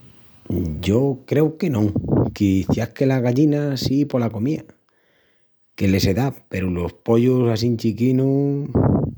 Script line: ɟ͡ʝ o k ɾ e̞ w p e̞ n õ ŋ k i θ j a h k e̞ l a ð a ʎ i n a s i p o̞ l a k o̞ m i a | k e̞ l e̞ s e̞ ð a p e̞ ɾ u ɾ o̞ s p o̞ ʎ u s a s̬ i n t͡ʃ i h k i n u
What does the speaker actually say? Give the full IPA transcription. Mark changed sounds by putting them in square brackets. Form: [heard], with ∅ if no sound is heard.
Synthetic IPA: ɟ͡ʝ o k ɾ e̞ w [k] e̞ n õ ŋ k i θ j a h k e̞ l a [ɣ] a ʎ i n a s i p o̞ l a k o̞ m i a | k e̞ l e̞ s e̞ ð a p e̞ ɾ u [l] o̞ s p o̞ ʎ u s a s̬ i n t͡ʃ i [∅] k i n u